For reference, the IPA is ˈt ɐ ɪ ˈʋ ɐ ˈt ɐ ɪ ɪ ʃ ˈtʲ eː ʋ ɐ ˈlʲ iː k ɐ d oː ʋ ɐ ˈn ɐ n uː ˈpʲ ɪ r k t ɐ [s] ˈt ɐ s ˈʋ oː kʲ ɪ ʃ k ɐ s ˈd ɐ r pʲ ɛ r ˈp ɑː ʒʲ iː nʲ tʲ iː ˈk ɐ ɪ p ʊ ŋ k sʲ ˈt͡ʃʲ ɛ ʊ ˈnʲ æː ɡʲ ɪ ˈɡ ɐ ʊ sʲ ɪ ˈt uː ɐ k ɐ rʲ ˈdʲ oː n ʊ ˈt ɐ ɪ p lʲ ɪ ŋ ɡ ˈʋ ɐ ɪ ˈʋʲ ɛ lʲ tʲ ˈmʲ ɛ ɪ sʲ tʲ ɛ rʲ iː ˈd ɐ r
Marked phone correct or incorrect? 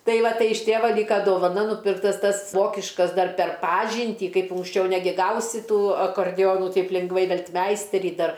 correct